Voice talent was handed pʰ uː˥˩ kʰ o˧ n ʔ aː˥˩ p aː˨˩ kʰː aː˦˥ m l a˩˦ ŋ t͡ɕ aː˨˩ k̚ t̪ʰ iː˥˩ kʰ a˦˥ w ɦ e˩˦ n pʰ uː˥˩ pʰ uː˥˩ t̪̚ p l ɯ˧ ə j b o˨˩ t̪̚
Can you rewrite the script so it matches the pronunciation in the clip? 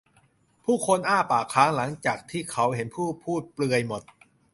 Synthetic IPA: pʰ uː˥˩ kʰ o˧ n ʔ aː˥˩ p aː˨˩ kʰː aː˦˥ ŋ l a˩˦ ŋ t͡ɕ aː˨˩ k̚ t̪ʰ iː˥˩ kʰ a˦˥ w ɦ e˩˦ n pʰ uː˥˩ pʰ uː˥˩ t̪̚ p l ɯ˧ ə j m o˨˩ t̪̚

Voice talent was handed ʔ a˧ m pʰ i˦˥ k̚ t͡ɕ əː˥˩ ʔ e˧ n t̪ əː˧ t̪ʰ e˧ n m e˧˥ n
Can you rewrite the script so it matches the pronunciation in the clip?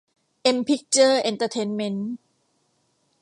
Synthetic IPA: ʔ e˧ m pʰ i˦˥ k̚ t͡ɕ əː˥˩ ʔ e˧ n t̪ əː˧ t̪ʰ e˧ n m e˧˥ n

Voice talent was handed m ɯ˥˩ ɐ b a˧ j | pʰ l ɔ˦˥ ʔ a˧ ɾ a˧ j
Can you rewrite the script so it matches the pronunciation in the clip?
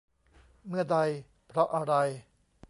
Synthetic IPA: m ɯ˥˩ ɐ d a˧ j | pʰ ɾ ɔ˦˥ ʔ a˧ ɾ a˧ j

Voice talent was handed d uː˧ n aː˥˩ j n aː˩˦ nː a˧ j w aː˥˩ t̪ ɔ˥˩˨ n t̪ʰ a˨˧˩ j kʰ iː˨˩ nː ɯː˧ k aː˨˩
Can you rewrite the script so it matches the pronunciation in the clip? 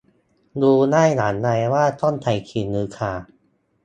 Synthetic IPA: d uː˧ n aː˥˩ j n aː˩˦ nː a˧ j w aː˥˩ t̪ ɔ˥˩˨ n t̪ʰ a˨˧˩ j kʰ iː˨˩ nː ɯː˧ kʰ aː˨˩

